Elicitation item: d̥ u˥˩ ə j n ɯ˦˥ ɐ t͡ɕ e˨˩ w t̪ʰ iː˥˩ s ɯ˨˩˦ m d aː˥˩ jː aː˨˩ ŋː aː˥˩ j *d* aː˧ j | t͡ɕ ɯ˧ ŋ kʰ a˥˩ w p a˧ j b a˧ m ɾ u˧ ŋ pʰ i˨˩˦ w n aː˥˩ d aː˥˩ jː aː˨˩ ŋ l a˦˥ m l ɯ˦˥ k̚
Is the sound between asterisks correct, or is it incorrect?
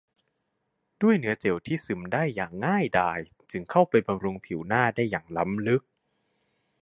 correct